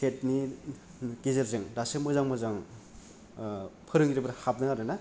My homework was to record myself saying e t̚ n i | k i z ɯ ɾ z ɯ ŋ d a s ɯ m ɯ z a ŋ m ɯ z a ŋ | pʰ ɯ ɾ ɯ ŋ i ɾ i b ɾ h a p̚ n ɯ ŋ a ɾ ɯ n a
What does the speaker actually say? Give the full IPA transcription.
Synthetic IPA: e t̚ n i | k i z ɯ ɾ z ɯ ŋ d a s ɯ m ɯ z a ŋ m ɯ z a ŋ | pʰ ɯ ɾ ɯ ŋ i ɾ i b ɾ h a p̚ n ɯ ŋ a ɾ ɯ n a

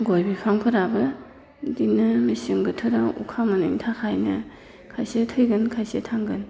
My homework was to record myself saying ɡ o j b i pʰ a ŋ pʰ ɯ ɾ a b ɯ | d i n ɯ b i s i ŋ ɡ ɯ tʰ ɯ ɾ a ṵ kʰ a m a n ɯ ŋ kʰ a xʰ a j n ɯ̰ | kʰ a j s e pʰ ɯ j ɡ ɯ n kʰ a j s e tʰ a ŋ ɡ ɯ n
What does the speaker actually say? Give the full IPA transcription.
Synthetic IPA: ɡ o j b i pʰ a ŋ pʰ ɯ ɾ a b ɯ | d i n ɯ m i s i ŋ ɡ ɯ tʰ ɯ ɾ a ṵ kʰ a m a n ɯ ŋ tʰ a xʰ a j n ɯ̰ | kʰ a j s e tʰ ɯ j ɡ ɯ n kʰ a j s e tʰ a ŋ ɡ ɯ n

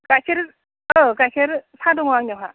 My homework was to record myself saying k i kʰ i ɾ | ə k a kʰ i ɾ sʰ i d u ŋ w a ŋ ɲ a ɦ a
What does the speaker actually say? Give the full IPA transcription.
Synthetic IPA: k a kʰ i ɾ | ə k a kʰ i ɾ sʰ a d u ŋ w a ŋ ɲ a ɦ a

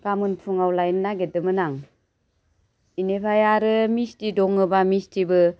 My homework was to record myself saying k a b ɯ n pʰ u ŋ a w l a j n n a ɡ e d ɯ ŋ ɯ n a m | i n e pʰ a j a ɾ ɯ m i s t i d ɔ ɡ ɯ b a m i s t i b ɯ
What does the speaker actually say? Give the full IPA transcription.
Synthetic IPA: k a m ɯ n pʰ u ŋ a w l a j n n a ɡ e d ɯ m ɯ n a ŋ | i n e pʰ a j a ɾ ɯ m i s t i d ɔ ŋ ɯ b a m i s t i b ɯ

